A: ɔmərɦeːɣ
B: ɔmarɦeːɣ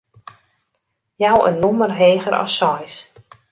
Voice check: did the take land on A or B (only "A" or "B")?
A